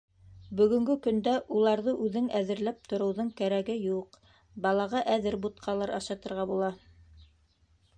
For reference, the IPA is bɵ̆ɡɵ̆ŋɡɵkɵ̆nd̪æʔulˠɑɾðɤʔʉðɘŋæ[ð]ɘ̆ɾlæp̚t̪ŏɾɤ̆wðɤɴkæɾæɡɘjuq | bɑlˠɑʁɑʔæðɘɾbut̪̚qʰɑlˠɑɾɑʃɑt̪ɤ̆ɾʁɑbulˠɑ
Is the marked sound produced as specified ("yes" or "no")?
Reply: yes